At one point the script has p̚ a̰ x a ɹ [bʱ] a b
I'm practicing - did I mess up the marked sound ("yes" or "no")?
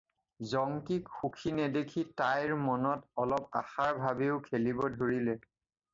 no